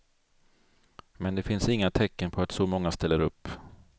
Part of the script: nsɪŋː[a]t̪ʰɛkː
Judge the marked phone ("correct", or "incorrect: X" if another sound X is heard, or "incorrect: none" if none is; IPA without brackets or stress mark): correct